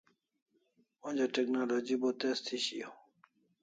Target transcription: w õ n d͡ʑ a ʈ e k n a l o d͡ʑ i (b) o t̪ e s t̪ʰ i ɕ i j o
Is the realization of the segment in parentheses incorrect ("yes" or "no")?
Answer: no